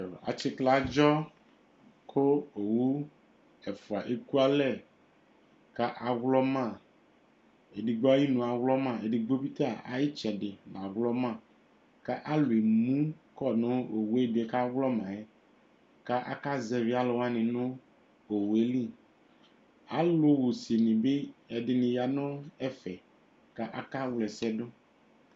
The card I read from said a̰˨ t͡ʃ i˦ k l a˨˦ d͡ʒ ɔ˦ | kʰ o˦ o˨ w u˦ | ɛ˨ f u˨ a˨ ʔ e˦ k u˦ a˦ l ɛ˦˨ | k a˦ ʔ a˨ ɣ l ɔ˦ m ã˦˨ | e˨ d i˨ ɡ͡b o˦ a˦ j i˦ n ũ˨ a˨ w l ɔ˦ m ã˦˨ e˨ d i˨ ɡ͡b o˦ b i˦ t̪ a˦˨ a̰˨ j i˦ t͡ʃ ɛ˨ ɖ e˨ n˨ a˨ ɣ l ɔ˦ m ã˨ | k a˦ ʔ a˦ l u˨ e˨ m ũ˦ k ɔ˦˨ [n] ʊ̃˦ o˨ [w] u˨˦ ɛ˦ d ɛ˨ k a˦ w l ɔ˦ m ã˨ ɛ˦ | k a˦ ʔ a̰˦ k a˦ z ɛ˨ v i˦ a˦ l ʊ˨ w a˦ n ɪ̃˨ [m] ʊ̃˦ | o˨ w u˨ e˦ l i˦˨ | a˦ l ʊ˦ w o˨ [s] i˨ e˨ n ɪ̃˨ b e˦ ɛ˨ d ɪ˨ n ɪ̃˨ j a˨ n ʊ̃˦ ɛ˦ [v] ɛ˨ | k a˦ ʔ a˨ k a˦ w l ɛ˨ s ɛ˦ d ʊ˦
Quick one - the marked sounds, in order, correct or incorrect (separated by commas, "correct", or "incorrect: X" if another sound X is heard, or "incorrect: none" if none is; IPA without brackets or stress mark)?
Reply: correct, correct, incorrect: n, correct, incorrect: f